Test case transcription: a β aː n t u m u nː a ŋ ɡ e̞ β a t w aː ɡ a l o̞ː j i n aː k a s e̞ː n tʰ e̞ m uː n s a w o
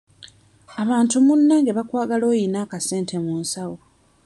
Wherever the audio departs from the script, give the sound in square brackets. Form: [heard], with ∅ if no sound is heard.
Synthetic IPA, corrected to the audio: a β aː n t u m u nː a ŋ ɡ e̞ β a [k] w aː ɡ a l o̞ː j i n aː k a s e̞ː n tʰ e̞ m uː n s a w o